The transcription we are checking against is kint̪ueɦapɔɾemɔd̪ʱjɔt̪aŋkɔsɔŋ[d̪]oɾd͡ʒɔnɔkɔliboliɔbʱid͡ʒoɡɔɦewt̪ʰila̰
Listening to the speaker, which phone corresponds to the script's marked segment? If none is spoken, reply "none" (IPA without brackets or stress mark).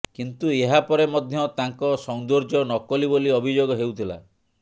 d̪